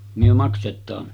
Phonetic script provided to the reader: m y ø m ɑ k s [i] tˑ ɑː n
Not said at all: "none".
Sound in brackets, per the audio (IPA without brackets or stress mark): e